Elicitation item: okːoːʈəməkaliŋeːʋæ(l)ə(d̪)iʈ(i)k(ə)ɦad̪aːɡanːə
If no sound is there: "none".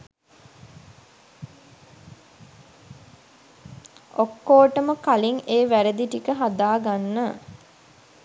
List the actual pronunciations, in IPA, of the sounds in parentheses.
ɾ, d̪, i, ə

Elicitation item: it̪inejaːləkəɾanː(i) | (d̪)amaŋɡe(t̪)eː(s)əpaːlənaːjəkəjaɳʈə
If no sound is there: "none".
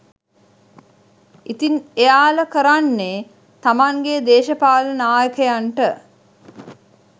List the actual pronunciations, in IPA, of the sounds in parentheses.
e, t̪, d̪, ʃ

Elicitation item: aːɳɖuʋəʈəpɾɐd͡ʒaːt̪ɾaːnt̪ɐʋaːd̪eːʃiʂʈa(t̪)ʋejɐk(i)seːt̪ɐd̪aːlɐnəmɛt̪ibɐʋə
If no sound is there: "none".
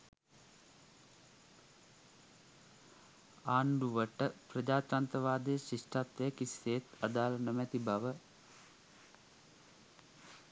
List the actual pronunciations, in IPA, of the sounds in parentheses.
t̪, i

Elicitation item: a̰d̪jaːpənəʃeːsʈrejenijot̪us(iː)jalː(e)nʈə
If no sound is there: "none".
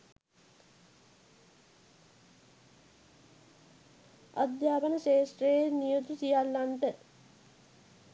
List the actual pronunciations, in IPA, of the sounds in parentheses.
i, a

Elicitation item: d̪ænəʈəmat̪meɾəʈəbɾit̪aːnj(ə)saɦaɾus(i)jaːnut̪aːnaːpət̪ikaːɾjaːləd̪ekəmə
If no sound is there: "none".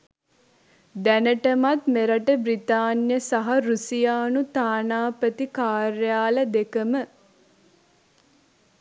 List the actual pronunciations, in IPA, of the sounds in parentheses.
ə, i

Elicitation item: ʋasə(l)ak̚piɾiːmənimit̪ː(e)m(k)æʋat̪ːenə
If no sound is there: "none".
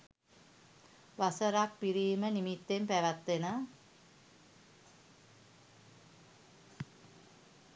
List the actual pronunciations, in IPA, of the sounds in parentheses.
ɾ, e, p

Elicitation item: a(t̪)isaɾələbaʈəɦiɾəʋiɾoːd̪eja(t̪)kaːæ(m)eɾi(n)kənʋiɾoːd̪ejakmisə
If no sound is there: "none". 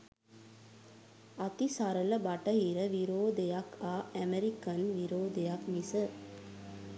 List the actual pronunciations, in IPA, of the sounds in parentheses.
t̪, none, m, none

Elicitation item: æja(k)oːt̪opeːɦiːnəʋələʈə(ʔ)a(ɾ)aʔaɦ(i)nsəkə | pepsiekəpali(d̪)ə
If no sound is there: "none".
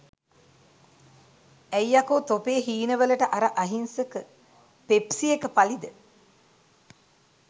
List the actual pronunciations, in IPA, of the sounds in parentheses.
k, ʔ, ɾ, i, d̪

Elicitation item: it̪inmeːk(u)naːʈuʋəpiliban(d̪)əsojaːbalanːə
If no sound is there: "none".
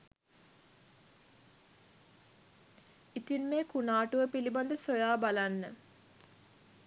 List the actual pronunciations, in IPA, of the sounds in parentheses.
u, d̪

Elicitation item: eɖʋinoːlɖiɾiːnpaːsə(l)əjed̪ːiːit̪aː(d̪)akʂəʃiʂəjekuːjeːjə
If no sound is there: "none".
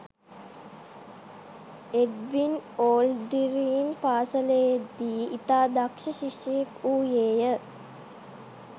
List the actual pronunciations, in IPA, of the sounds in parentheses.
l, d̪

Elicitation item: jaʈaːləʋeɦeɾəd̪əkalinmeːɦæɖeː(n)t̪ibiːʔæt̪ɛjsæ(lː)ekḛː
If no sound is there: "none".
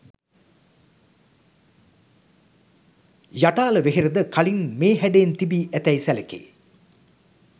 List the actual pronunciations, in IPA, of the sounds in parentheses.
n, l

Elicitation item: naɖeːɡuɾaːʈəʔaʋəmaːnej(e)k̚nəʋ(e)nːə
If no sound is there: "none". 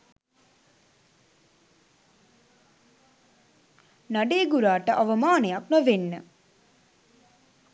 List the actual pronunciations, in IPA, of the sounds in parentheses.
a, e

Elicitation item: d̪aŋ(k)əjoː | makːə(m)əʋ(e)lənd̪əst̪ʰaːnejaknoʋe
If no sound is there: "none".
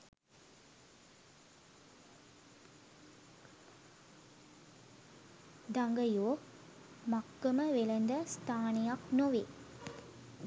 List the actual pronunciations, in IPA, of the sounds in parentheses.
ɡ, m, e

